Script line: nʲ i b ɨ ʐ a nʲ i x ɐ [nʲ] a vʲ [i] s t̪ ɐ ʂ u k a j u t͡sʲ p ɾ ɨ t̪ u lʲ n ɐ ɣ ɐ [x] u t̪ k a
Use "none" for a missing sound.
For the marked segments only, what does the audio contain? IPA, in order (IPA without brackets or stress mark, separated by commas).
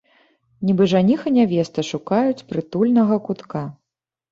nʲ, ɛ, k